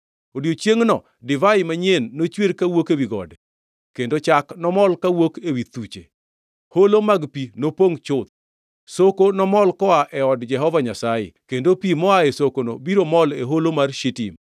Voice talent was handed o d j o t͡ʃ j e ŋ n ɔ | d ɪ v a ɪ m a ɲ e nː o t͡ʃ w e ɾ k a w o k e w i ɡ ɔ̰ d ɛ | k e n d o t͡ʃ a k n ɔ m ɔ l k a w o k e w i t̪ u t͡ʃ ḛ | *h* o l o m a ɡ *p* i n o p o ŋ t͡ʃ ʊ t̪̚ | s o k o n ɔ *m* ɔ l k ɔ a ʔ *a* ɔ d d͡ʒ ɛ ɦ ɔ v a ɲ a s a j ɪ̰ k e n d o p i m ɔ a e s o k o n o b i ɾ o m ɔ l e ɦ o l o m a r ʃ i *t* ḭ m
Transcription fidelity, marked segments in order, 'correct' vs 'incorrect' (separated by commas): correct, correct, correct, incorrect, correct